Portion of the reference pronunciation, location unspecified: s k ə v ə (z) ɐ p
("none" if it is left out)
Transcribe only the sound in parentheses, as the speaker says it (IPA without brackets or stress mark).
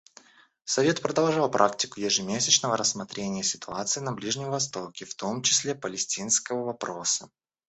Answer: v